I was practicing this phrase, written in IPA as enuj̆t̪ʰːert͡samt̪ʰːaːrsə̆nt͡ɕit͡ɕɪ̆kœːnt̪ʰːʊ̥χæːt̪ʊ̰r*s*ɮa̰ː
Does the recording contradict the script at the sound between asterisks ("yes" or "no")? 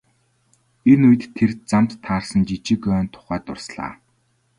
no